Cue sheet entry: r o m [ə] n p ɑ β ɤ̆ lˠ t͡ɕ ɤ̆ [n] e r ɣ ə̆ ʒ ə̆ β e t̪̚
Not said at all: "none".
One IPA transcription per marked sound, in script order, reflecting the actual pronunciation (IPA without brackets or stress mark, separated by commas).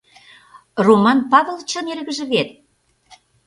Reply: ɑ, n